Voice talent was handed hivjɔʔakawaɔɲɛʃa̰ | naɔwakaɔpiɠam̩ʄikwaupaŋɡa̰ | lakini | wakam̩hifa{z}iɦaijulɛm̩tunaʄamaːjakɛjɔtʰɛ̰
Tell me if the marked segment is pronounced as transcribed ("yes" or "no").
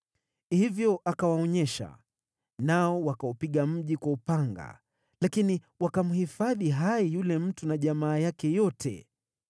no